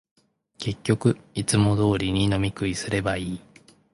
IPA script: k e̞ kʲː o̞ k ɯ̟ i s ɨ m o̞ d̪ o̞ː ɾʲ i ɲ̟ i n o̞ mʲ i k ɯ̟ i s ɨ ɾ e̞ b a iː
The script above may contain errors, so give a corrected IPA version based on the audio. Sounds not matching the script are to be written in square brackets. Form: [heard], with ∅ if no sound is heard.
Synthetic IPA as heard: k e̞ kʲː o̞ k ɯ̟ i [t͡s] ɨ m o̞ d̪ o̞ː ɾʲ i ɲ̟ i n o̞ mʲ i k ɯ̟ i s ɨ ɾ e̞ b a iː